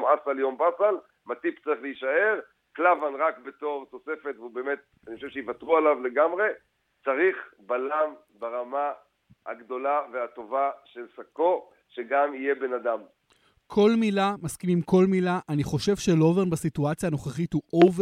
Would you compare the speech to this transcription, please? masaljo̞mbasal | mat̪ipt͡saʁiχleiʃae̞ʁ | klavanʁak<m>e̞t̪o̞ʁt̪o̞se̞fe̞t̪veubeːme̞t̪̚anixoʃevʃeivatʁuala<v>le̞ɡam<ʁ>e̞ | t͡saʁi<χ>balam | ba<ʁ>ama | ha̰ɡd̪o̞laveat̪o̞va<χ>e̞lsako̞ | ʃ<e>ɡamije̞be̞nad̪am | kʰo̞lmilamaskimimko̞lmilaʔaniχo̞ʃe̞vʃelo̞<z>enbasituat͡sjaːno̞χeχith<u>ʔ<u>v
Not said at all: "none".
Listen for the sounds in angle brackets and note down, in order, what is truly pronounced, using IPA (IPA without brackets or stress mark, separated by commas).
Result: b, v, ʁ, χ, ʁ, ʃ, e, v, u, o